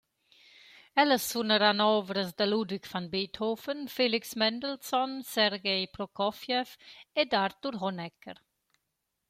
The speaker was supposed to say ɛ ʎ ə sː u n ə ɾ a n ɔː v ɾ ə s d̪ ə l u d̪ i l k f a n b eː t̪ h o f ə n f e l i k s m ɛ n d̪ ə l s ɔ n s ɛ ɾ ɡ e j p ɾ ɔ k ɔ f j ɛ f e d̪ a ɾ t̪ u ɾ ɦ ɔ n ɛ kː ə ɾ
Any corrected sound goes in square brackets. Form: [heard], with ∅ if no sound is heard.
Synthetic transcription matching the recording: ɛ [l] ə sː u n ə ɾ a n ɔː v ɾ ə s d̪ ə l u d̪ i [∅] k f a n b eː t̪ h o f ə n f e l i k s m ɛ n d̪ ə l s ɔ n s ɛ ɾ ɡ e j p ɾ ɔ k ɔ f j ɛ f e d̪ a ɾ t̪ u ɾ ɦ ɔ n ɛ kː ə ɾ